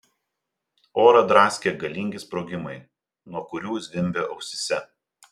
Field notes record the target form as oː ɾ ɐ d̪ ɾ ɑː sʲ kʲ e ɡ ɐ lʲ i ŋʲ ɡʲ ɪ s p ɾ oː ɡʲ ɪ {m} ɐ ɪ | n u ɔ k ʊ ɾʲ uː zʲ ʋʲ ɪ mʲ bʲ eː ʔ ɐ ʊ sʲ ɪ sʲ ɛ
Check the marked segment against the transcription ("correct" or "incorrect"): correct